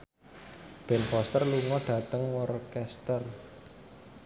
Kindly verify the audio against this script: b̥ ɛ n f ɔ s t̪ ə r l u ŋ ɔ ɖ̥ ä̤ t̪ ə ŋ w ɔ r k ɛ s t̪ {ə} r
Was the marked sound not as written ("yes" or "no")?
no